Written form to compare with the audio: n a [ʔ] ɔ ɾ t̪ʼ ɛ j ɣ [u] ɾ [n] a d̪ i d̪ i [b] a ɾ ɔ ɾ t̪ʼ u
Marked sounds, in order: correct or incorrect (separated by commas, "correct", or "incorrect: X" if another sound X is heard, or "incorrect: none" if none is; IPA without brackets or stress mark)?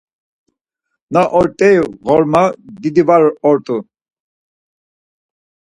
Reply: correct, incorrect: ɔ, incorrect: m, incorrect: v